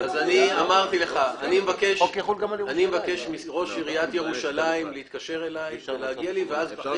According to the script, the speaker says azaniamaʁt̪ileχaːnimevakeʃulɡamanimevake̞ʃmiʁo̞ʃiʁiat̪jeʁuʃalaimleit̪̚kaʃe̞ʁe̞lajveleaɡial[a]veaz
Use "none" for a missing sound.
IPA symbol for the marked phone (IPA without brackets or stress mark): i